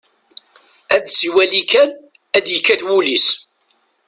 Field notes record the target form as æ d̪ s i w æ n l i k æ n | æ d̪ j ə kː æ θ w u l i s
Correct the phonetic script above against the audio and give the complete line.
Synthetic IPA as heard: æ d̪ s i w æ l i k æ n | æ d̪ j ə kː æ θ w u l i s